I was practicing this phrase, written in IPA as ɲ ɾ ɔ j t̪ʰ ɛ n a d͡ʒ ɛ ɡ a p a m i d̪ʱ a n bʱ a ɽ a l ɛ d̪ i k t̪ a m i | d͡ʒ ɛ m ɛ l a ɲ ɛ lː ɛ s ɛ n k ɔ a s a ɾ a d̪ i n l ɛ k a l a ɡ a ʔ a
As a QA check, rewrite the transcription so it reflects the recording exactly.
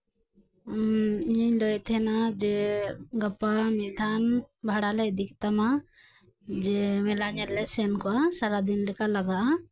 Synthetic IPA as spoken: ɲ l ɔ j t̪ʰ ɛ n a d͡ʒ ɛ ɡ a p a m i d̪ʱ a n bʱ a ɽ a l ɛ d̪ i k t̪ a m a | d͡ʒ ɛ m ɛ l a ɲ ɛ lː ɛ s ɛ n k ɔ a s a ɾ a d̪ i n l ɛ k a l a ɡ a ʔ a